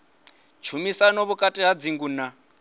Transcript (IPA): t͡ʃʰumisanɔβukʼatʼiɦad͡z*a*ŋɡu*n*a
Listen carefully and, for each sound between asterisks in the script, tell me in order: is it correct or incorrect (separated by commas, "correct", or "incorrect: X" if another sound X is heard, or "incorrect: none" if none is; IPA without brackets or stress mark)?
incorrect: i, correct